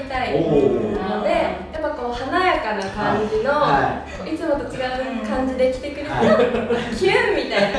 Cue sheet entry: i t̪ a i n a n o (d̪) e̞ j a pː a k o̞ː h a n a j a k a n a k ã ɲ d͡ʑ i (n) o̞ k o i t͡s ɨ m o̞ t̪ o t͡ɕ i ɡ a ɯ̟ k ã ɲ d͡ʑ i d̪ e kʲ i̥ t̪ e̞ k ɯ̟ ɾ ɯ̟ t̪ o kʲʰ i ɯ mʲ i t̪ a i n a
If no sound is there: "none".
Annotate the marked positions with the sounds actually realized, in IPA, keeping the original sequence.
d̪, n

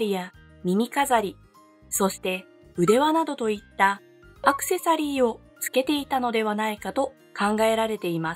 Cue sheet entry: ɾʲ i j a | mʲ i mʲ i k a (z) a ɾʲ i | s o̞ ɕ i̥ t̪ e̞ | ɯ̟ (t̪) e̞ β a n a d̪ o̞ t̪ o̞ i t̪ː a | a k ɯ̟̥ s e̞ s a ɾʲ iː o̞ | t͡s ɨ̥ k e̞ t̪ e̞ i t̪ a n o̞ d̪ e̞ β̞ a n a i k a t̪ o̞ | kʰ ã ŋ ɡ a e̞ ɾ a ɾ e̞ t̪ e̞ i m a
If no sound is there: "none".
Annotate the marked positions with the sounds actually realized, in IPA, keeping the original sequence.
z, d̪

